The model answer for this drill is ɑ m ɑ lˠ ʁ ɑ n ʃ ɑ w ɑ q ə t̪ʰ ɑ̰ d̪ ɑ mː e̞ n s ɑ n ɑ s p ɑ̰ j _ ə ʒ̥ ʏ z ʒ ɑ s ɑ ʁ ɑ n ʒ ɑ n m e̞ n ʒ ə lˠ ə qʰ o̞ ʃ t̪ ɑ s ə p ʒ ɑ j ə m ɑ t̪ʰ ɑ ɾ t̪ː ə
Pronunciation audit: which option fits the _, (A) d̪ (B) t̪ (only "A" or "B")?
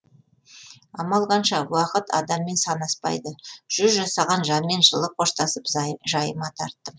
A